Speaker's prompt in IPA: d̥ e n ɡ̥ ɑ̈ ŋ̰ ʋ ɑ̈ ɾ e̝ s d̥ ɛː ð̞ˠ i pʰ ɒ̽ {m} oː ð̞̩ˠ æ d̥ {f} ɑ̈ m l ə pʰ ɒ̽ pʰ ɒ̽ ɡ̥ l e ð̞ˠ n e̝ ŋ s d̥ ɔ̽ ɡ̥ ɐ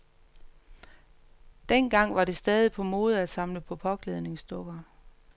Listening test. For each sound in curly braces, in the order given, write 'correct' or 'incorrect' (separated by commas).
correct, incorrect